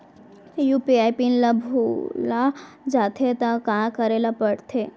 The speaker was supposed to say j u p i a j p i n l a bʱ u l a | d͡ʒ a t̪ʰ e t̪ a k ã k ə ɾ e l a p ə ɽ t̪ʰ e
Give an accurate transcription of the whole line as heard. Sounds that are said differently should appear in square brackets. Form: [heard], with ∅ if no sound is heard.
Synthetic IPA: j u p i a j p i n l a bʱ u l a | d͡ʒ a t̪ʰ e t̪ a k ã k ə ɾ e l a p ə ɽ t̪ʰ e